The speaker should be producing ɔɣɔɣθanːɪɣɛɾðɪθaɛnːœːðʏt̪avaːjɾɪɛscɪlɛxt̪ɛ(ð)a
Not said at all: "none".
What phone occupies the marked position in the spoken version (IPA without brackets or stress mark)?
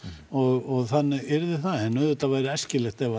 v